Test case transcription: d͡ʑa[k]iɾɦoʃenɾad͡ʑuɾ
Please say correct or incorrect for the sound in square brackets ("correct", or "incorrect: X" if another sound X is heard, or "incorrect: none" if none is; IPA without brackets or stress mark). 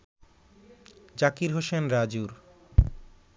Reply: correct